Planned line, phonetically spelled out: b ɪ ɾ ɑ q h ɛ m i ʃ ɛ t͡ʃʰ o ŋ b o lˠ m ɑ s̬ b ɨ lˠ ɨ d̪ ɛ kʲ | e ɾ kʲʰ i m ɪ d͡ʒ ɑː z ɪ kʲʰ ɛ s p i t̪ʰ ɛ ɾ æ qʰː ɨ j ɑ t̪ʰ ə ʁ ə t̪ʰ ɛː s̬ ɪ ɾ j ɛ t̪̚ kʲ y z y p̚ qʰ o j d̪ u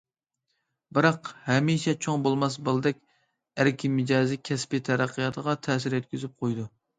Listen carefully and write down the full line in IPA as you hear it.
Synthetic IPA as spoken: b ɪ ɾ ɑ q h ɛ m i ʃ ɛ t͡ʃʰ o ŋ b o lˠ m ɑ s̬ b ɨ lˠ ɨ d̪ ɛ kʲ | æ ɾ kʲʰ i m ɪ d͡ʒ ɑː z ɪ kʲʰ ɛ s p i t̪ʰ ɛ ɾ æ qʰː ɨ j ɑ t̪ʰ ə ʁ ɑ t̪ʰ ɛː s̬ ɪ ɾ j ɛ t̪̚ kʲ y z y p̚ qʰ o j d̪ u